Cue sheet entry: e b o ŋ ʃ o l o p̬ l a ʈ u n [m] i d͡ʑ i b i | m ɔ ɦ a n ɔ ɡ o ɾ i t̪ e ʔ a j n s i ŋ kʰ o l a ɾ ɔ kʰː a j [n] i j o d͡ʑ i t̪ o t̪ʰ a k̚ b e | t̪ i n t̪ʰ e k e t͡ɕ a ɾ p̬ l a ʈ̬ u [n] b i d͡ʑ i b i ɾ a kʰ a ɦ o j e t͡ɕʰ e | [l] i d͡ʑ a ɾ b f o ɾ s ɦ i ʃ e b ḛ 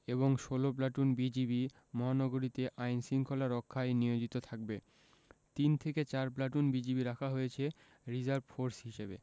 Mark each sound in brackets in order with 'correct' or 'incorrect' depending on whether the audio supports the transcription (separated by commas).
incorrect, correct, correct, incorrect